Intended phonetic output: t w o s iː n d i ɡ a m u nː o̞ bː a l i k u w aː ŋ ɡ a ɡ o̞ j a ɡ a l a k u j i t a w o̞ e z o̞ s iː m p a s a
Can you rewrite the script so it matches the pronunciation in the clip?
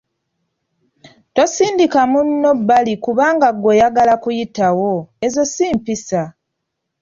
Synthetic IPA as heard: t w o s iː n d i k a m u nː o̞ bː a l i k u β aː ŋ ɡ a ɡ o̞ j a ɡ a l a k u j i t a w o̞ e z o̞ s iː m p i s a